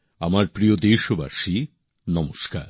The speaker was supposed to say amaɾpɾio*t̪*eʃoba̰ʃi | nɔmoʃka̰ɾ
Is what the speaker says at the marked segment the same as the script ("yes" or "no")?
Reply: no